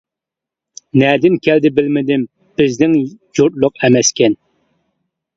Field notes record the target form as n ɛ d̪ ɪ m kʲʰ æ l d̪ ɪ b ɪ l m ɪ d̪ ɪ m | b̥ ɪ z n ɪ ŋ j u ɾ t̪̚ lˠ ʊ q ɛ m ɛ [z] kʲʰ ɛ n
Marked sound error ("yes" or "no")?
yes